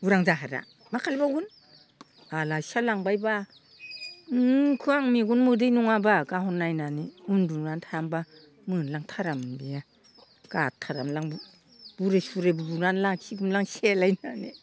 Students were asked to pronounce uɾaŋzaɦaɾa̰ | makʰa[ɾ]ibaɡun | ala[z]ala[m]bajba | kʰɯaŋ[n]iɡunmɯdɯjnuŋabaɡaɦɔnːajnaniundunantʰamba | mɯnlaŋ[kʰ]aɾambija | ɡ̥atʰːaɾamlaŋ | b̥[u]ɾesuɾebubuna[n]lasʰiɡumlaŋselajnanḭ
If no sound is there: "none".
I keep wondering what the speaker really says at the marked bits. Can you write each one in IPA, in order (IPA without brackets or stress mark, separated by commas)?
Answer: l, s, ŋ, m, tʰ, u, n